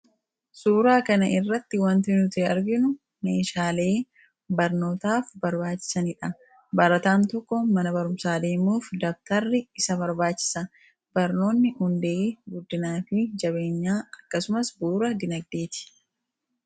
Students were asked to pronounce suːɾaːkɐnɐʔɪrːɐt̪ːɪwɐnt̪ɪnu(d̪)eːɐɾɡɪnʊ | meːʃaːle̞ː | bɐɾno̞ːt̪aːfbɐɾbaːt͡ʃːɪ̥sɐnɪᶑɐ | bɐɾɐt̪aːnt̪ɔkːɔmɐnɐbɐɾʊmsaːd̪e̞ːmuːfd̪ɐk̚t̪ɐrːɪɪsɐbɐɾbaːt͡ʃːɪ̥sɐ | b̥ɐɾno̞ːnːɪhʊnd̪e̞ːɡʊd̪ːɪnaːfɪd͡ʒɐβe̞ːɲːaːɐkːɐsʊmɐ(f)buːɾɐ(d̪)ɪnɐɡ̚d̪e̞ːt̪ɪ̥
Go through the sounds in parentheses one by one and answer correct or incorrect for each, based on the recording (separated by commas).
incorrect, incorrect, correct